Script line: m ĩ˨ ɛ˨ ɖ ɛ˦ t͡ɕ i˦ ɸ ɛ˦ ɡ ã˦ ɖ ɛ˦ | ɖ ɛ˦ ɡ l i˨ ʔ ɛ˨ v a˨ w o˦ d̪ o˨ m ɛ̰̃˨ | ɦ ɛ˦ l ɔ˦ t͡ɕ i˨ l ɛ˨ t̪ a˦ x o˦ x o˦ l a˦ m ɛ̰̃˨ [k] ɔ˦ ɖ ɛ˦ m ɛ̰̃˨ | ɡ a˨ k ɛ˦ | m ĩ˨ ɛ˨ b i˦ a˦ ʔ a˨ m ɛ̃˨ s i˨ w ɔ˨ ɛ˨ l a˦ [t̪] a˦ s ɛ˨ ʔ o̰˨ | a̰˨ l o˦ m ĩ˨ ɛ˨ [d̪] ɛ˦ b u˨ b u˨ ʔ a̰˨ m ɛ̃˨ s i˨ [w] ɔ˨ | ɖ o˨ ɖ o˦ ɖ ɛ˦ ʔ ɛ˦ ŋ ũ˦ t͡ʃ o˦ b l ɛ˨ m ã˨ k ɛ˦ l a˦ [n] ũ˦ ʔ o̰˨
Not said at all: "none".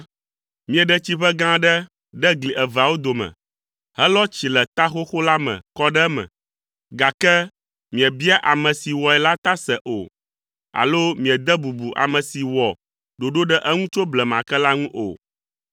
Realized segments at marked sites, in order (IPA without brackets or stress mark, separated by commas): k, t̪, d̪, w, ŋ